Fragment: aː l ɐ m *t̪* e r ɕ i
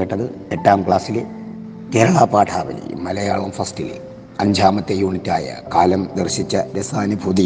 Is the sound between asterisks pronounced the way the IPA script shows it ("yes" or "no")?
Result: no